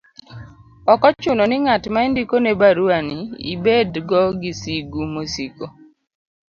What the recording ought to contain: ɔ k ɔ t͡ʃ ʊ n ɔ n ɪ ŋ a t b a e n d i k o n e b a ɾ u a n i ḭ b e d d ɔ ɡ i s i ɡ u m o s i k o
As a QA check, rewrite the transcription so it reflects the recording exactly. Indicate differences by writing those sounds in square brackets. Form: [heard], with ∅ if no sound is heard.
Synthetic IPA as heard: ɔ k ɔ t͡ʃ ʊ n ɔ n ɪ ŋ a t [m] a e n d i k o n e b a ɾ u a n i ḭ b e d [ɡ] ɔ ɡ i s i ɡ u m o s i k o